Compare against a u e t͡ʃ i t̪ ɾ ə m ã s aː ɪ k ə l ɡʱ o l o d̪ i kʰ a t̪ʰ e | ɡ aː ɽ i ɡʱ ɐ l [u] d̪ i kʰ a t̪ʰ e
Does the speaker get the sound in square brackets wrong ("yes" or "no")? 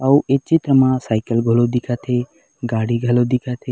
yes